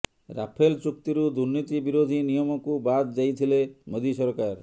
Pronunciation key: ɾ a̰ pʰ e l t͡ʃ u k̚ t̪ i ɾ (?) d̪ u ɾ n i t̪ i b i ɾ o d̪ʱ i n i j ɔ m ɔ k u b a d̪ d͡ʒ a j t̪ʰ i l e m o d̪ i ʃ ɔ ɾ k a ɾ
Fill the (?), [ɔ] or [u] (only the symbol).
u